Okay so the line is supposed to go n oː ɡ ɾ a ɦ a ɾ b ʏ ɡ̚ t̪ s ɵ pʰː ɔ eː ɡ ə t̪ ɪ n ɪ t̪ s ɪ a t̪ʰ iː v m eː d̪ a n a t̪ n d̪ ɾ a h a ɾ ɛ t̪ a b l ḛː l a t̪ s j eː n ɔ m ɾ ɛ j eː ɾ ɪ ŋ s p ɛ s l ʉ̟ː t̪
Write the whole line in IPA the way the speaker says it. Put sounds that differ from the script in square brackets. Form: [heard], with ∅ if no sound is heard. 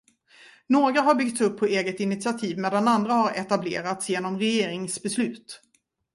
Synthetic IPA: n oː ɡ ɾ a ɦ a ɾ b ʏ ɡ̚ t̪ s ɵ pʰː ɔ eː ɡ ə t̪ ɪ n ɪ t̪ s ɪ a t̪ʰ iː v m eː d̪ a n a [∅] n d̪ ɾ a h a ɾ ɛ t̪ a b l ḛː [ɾ] a t̪ s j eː n ɔ m ɾ ɛ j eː ɾ ɪ ŋ s [b] ɛ s l ʉ̟ː t̪